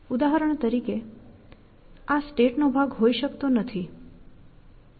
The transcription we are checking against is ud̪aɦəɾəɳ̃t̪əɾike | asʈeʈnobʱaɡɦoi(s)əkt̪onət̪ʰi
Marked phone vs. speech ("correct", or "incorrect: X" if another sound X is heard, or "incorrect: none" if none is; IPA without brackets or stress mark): incorrect: ʃ